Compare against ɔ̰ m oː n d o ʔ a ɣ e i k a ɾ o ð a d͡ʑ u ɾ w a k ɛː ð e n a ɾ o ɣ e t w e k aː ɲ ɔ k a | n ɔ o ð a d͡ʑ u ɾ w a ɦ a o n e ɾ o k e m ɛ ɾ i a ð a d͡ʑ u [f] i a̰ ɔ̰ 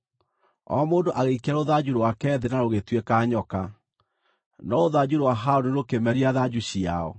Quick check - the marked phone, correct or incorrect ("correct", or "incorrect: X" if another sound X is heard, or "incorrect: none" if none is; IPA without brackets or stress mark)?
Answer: incorrect: ɕ